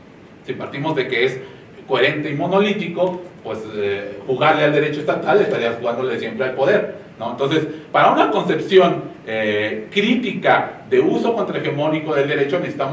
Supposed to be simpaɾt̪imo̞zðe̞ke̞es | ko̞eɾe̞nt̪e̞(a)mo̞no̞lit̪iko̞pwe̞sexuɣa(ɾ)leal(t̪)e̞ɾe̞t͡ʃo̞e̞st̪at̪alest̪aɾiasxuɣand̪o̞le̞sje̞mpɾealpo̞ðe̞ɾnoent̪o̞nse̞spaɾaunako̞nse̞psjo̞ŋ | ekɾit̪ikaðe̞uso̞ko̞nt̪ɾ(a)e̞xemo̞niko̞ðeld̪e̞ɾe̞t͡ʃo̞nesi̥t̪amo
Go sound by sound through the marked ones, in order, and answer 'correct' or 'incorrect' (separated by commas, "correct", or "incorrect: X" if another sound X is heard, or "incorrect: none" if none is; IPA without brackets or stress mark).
incorrect: i, correct, incorrect: d̪, correct